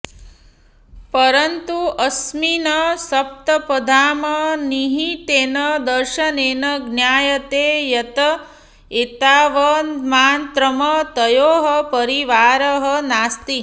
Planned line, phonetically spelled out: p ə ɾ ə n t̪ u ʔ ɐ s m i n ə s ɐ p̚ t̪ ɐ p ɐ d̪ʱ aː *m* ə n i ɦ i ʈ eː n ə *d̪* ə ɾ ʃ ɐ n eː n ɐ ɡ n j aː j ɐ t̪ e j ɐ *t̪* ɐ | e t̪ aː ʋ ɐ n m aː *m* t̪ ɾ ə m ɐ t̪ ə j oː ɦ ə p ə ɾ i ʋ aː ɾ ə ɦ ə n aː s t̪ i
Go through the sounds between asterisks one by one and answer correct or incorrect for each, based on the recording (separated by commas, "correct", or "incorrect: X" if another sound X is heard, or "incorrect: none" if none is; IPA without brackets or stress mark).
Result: correct, correct, correct, incorrect: n